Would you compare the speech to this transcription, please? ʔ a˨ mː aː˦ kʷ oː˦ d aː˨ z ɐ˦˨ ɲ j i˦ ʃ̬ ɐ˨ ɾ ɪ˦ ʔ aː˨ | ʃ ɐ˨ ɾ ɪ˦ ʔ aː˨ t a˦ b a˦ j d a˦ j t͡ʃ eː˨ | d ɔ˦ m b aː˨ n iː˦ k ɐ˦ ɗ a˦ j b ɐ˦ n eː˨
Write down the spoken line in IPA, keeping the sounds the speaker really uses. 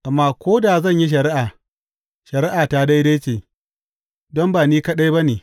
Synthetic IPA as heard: ʔ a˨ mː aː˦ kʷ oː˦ d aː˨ z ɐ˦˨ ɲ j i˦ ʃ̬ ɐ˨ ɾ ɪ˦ ʔ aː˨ | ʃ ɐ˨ ɾ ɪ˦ ʔ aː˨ t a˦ d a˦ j d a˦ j t͡ʃ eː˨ | d ɔ˦ m b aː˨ n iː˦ k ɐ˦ ɗ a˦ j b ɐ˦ n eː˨